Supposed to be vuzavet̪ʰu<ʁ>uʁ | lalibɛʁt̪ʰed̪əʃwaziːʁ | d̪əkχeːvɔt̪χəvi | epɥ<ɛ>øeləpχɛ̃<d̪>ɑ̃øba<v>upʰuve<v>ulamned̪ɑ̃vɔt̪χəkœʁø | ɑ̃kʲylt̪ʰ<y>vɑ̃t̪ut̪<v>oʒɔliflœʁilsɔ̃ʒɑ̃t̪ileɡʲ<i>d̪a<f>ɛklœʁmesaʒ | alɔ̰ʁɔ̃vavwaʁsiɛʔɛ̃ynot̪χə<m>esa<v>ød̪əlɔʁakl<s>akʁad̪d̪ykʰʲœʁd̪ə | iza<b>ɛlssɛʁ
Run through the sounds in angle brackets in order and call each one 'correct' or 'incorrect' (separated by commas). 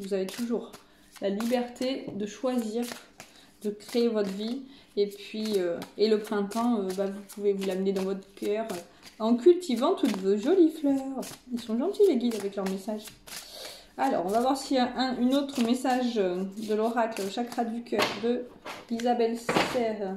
incorrect, incorrect, incorrect, correct, correct, incorrect, correct, correct, incorrect, correct, incorrect, incorrect, correct